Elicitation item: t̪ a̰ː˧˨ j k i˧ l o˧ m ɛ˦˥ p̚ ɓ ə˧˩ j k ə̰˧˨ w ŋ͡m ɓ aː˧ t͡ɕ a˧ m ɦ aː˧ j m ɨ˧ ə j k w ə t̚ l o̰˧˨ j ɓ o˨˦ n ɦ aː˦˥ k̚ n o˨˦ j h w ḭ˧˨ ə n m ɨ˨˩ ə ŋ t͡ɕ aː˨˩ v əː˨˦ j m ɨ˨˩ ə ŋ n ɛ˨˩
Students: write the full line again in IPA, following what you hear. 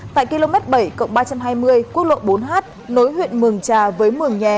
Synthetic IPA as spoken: t̪ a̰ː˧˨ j k i˧ l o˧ m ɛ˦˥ t̚ ɓ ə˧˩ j k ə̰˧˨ w ŋ͡m ɓ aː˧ t͡ɕ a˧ m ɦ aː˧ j m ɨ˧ ə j k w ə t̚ l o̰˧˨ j ɓ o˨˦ n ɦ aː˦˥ t̚ n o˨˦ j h w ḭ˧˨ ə n m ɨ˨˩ ə ŋ t͡ɕ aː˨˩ v əː˨˦ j m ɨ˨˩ ə ŋ ɲ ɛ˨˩